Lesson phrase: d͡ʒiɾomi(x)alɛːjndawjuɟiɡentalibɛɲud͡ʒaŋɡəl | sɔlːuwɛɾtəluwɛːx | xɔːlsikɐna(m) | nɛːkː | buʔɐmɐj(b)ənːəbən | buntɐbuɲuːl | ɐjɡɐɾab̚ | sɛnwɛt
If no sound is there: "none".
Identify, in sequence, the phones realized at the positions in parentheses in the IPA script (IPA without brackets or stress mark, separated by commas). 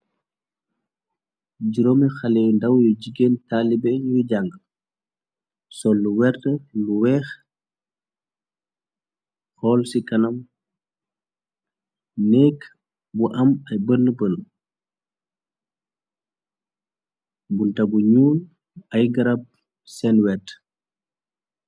x, m, b